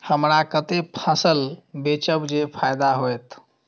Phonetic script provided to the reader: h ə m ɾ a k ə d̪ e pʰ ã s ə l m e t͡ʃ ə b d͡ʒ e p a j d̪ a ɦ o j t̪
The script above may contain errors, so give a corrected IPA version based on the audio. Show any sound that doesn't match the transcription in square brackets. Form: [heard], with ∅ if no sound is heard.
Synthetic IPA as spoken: h ə m ɾ a k ə [t̪] e pʰ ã s ə l [b] e t͡ʃ ə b d͡ʒ e [pʰ] a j d̪ a ɦ o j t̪